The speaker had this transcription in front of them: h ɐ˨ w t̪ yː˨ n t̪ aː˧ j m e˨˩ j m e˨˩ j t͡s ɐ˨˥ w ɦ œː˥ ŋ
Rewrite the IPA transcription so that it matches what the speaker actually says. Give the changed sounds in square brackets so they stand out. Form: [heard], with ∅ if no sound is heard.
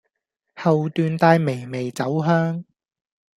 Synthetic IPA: h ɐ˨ w t̪ yː˨ n t̪ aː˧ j m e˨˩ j m e˨˩ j t͡s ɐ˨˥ w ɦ œː˥ ŋ